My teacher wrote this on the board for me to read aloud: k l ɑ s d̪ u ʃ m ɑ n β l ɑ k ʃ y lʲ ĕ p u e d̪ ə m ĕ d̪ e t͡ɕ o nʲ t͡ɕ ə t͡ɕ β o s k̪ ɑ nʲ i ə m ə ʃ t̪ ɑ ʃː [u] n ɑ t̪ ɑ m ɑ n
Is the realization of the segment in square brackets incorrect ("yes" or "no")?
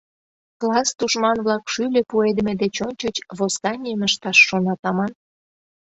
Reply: yes